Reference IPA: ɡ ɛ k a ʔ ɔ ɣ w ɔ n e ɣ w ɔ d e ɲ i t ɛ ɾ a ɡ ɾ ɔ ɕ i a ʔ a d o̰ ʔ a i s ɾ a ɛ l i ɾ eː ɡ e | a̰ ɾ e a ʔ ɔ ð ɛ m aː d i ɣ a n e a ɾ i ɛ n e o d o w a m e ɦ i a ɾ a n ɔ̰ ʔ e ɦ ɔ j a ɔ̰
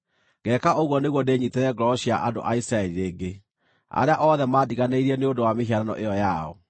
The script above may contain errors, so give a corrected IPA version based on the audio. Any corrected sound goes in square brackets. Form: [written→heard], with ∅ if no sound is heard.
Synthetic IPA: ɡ ɛ k a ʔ [ɔ→o] ɣ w ɔ n e ɣ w ɔ d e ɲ i t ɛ ɾ [a→ɛ] ɡ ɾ ɔ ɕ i a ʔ a d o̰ ʔ a i s ɾ a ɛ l i ɾ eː ɡ e | a̰ ɾ e a ʔ ɔ ð ɛ m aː d i ɣ a n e [a→i] ɾ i ɛ n e o d o w a m e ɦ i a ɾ a n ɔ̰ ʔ e [ɦ→∅] ɔ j a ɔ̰